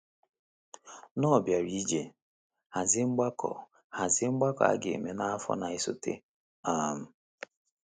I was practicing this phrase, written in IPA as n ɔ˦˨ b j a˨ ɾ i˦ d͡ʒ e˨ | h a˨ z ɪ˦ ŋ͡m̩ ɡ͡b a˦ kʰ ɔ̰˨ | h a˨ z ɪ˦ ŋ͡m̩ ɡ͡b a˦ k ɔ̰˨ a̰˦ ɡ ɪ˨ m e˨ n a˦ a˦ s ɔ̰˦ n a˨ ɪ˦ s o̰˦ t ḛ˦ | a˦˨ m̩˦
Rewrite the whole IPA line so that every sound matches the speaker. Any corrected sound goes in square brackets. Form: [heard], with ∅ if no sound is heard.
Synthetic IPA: n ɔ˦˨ b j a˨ ɾ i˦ d͡ʒ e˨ | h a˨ z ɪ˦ ŋ͡m̩ ɡ͡b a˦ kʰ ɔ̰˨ | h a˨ z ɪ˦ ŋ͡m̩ ɡ͡b a˦ k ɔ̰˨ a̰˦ ɡ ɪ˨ m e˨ n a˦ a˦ [f] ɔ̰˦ n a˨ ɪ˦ s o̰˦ t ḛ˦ | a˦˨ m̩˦